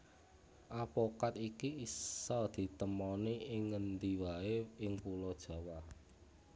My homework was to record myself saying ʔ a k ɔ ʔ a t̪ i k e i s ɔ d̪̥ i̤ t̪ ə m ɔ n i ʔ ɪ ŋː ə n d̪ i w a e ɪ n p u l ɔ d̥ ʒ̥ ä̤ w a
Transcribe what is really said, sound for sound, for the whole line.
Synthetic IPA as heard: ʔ a p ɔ k a t̪ i k i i s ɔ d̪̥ i̤ t̪ ə m ɔ n i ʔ ɪ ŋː ə n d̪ i w a e ɪ ŋ p u l ɔ d̥ ʒ̥ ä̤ w a